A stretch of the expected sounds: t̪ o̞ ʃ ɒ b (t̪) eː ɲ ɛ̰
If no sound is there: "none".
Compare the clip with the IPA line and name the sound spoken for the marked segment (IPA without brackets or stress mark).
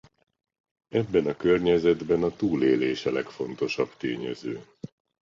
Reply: t̪